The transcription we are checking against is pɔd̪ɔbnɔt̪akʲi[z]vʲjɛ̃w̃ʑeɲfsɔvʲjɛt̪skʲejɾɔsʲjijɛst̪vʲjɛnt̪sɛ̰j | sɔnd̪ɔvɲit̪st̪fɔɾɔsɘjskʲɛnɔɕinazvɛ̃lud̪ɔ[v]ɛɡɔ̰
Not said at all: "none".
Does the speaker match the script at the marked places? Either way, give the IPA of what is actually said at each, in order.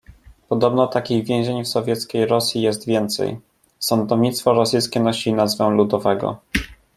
ɣ, v

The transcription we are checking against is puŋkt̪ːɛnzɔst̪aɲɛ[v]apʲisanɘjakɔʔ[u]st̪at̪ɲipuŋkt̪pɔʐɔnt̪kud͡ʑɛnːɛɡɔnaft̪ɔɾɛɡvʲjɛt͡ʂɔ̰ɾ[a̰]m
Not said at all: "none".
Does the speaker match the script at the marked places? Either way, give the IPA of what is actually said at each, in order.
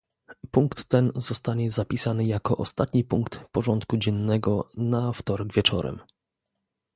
z, ɔ, ɛ̰

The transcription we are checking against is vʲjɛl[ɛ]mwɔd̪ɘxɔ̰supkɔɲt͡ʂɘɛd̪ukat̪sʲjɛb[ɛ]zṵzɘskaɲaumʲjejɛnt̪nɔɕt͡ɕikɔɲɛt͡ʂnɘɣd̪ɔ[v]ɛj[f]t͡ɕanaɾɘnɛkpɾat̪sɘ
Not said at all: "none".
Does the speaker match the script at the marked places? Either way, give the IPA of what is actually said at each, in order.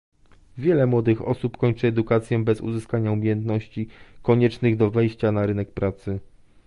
ɛ, ɛ, v, ɕ

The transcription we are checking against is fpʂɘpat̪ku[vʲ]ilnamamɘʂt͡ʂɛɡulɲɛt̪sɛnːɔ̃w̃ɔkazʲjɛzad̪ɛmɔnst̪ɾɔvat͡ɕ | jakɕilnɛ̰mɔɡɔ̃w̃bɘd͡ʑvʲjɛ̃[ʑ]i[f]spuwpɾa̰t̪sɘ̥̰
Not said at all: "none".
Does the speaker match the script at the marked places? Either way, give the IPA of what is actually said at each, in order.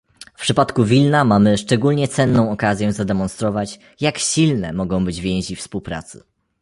vʲ, ʑ, f

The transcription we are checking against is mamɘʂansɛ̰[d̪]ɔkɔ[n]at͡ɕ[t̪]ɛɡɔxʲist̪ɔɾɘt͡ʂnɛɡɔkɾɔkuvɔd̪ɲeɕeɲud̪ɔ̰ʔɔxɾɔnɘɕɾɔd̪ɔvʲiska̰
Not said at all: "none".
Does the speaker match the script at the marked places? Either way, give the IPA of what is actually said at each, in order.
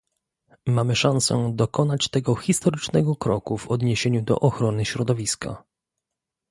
d̪, n, t̪

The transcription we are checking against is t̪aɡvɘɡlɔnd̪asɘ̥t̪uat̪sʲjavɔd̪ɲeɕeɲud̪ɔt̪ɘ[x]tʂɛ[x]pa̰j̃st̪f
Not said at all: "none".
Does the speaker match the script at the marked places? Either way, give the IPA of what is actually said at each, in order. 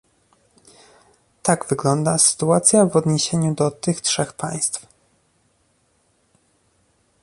x, x

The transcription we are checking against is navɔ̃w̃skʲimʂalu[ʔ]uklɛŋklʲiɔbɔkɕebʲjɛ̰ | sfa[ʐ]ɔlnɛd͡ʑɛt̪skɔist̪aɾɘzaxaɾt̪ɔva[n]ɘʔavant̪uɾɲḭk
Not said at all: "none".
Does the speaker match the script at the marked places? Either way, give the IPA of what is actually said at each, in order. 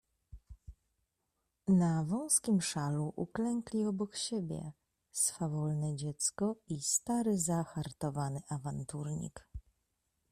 ʔ, v, n

